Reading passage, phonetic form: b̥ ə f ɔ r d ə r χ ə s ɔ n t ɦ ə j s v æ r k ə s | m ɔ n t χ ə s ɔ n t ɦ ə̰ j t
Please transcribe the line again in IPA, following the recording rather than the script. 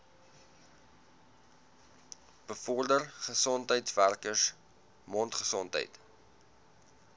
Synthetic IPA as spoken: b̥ ə f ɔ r d ə r χ ə s ɔ n t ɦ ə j t v æ r k ə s | m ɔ n t χ ə s ɔ n t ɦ ə̰ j t

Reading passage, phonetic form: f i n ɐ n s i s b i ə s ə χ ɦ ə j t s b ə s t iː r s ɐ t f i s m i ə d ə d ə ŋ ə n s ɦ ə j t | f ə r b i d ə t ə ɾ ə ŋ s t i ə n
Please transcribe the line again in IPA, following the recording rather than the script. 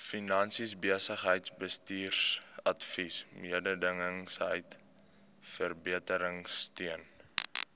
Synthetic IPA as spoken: f i n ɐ n s i s b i ə s ə χ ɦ ə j t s b ə s t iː r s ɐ t f i s m i ə d ə d ə ŋ ə ŋ s ɦ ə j t | f ə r b i ə t ə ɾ ə ŋ s t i ə n

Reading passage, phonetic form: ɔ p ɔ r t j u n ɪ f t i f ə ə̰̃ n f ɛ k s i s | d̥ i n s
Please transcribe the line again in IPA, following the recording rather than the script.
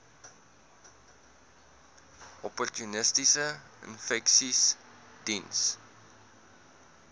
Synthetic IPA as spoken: ɔ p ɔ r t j u n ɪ s t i s ə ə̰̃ n f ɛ k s i s | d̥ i n s

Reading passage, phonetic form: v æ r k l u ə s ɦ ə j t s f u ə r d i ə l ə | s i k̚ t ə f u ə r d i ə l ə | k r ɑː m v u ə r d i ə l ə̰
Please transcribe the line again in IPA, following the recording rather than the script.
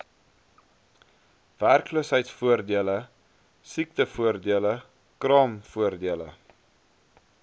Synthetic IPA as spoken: v æ r k l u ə s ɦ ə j t s f u ə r d i ə l ə | s i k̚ t ə f u ə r d i ə l ə | k r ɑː m f u ə r d i ə l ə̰

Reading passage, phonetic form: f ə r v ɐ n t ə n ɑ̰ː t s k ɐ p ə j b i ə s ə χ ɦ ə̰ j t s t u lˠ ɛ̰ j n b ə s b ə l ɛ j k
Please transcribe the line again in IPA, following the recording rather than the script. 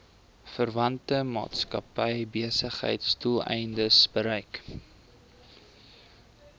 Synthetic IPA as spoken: f ə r v ɐ n t ə m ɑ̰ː t s k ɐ p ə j b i ə s ə χ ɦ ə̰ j t s t u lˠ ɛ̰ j n d ə s b ə ɾ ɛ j k

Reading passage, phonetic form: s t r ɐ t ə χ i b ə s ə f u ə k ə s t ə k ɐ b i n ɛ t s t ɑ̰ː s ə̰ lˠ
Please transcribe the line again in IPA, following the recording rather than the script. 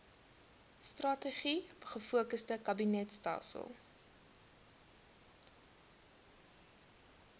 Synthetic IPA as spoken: s t r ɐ t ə χ i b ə χ ə f u ə k ə s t ə k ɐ b i n ɛ t s t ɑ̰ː s ə̰ lˠ

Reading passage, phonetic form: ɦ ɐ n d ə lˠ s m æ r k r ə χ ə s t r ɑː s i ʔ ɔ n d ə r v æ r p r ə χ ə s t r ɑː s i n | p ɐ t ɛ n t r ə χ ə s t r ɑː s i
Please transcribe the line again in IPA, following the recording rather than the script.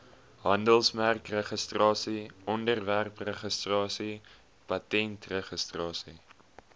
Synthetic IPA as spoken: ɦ ɐ n d ə lˠ s m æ r k r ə χ ə s t r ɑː s i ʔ ɔ n d ə r v æ r p r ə χ ə s t r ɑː s i | p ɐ t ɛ n t r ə χ ə s t r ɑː s i

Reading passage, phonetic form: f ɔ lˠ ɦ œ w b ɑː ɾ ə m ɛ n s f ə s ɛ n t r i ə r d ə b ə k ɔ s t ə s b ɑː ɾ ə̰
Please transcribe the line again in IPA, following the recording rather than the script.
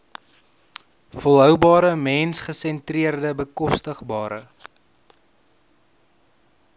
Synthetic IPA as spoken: f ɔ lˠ ɦ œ w b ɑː ɾ ə m ɛ n s χ ə s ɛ n t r i ə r d ə b ə k ɔ s t ə χ b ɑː ɾ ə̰

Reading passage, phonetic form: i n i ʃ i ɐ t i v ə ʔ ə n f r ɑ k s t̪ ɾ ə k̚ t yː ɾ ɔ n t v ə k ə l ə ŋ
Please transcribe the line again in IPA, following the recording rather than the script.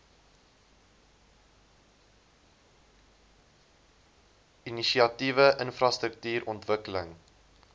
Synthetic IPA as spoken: i n i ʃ i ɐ t i v ə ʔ ə n f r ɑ s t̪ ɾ ə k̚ t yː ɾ ɔ n t v ə k ə l ə ŋ

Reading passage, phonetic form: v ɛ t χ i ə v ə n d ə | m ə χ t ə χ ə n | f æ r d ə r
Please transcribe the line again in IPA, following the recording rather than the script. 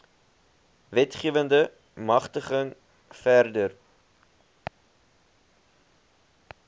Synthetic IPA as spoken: v ɛ t χ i ə v ə n d ə | m ɐ χ t ə χ ə ŋ | f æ r d ə r

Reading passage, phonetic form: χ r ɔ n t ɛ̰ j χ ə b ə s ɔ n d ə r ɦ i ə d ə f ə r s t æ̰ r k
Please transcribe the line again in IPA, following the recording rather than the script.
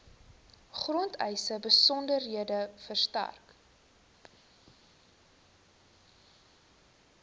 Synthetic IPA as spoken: χ r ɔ n t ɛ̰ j s ə b ə s ɔ n d ə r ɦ i ə d ə f ə r s t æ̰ r k

